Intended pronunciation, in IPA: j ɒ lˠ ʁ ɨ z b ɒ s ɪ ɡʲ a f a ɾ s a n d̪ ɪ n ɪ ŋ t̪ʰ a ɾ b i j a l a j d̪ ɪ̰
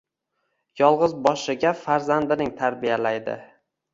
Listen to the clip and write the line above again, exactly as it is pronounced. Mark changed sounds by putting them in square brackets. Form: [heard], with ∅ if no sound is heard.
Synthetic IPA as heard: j ɒ lˠ ʁ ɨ z b ɒ [ʃ] ɪ ɡʲ a f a ɾ [z] a n d̪ ɪ n ɪ ŋ t̪ʰ a ɾ b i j a l a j d̪ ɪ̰